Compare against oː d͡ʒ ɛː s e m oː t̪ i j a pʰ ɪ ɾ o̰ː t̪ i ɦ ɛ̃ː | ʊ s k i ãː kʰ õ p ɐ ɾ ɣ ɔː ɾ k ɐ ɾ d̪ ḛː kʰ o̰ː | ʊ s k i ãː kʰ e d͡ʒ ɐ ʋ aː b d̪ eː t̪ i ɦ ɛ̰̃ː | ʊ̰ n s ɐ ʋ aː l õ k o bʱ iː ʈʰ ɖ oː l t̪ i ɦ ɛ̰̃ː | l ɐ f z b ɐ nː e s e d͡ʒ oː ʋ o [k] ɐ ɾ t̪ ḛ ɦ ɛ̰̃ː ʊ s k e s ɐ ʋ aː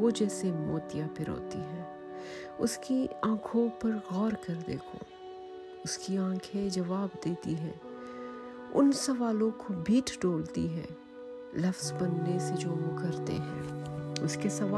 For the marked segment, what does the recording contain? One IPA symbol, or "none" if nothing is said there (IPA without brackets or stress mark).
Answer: k